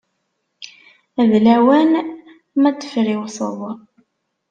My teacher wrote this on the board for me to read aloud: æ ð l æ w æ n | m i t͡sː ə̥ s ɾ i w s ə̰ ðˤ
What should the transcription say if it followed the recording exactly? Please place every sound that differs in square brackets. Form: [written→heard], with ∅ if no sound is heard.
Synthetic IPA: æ ð l æ w æ n | m [i→æ] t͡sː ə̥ [s→f] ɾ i w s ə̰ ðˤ